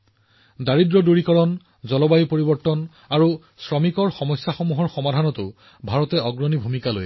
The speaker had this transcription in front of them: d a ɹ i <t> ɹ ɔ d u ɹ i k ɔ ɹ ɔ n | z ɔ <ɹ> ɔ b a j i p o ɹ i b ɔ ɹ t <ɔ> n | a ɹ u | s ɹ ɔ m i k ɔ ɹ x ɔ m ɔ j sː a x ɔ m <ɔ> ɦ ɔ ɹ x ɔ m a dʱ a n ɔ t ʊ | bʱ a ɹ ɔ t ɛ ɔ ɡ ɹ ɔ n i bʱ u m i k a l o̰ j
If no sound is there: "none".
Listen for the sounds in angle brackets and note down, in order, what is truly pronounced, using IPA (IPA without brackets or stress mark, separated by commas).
d, l, ɔ, u